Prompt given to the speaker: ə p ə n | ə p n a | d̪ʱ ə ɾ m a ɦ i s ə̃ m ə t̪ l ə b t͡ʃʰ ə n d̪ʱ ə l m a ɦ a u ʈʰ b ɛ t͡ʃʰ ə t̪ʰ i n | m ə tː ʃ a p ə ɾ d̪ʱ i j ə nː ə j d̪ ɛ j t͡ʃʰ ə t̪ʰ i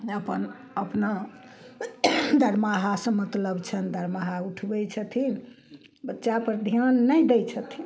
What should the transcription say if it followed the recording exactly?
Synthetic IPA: ə p ə n | ə p n a | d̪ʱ ə ɾ m a ɦ a s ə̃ m ə t̪ l ə b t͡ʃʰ ə n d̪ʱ ə ɾ m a ɦ a u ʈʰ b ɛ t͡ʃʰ ə t̪ʰ i n | b ə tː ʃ a p ə ɾ d̪ʱ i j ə nː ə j d̪ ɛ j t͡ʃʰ ə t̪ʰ i

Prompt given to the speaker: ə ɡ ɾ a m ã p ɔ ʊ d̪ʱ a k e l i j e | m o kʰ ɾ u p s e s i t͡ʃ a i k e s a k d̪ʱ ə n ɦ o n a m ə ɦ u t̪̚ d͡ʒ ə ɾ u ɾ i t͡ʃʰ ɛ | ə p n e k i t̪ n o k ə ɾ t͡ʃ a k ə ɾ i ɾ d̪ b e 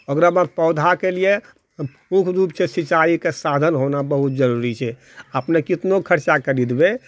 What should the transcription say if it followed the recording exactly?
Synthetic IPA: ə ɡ ɾ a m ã p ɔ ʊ d̪ʱ a k e l i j e | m u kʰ ɾ u p s e s i t͡ʃ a i k e s a d̪ʱ ə n ɦ o n a b ə ɦ u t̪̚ d͡ʒ ə ɾ u ɾ i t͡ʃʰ ɛ | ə p n e k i t̪ n o kʰ ə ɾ t͡ʃ a k ə ɾ i d̪ b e

